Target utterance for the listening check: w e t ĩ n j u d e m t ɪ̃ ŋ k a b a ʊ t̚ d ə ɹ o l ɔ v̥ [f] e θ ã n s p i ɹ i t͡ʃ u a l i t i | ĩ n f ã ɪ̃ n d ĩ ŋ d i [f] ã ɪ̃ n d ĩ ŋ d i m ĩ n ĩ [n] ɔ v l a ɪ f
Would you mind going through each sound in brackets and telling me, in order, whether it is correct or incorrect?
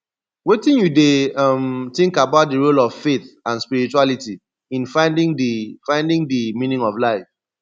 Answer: correct, correct, incorrect

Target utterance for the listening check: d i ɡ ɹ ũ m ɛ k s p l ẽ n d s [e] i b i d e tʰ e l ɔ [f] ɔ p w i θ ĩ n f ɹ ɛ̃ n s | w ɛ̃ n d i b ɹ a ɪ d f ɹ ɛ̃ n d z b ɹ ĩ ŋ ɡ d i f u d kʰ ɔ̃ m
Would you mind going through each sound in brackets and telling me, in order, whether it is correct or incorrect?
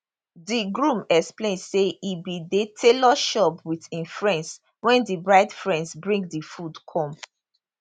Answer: correct, incorrect

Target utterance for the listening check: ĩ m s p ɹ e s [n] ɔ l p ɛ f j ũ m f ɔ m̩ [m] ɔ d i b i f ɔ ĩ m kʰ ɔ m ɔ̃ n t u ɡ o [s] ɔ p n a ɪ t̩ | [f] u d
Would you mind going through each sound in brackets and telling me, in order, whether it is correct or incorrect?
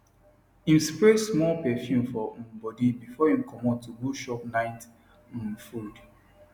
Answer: incorrect, incorrect, incorrect, correct

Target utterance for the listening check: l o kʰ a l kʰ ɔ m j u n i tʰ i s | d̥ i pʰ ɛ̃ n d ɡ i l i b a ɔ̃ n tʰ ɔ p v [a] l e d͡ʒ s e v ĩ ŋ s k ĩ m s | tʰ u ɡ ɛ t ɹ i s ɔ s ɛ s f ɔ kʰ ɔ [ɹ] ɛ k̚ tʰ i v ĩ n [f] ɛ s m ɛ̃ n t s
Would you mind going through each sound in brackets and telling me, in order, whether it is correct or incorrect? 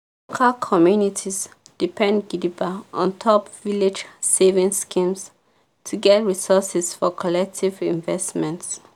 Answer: incorrect, incorrect, incorrect

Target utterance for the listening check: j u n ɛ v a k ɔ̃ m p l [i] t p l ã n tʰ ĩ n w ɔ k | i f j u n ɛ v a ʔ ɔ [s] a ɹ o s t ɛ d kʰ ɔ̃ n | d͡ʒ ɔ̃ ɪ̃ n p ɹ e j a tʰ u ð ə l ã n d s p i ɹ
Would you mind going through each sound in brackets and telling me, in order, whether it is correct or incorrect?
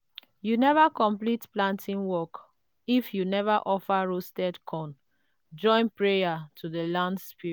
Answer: correct, incorrect

